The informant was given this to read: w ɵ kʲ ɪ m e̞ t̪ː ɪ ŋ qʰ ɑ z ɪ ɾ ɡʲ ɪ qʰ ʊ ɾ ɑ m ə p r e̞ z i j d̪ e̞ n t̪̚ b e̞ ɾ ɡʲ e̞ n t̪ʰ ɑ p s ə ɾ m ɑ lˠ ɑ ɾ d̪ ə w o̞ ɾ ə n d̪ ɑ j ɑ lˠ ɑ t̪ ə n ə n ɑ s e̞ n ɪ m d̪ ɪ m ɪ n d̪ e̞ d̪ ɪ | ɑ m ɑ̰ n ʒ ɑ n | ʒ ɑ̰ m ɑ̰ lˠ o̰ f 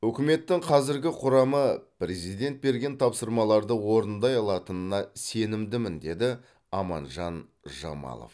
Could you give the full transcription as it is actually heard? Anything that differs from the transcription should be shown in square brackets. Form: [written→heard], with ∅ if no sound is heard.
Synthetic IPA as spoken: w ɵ kʲ ɪ m e̞ t̪ː ɪ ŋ qʰ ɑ z ɪ ɾ ɡʲ ɪ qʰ ʊ ɾ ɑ m ə p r e̞ z i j d̪ e̞ n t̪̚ b e̞ ɾ ɡʲ e̞ n t̪ʰ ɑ p s ə ɾ m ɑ lˠ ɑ ɾ d̪ ə w o̞ ɾ ə n d̪ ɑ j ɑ lˠ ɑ t̪ ə n ə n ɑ s e̞ n ɪ m d̪ ɪ m ɪ n d̪ e̞ d̪ ɪ | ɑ m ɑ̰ n ʒ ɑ n | ʒ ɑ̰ m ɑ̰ lˠ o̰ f